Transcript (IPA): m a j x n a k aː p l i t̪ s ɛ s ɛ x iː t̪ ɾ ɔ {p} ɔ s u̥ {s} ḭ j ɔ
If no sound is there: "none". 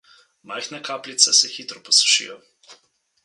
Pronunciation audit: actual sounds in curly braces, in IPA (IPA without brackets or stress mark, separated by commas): p, ʃ